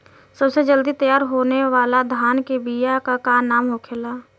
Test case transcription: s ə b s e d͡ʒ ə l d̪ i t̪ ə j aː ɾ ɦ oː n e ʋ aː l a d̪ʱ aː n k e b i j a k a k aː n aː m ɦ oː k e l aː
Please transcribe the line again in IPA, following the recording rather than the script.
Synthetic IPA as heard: s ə b s e d͡ʒ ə l d̪ i t̪ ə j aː ɾ ɦ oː n e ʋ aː l a d̪ʱ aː n k e b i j a k a k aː n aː m ɦ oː kʰ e l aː

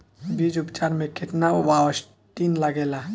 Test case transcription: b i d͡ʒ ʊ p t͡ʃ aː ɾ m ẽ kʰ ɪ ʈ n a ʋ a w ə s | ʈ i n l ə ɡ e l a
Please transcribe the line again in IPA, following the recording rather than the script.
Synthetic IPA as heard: b i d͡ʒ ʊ p t͡ʃ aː ɾ m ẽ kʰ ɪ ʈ n a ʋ a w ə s | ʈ i n l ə ɡ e l a

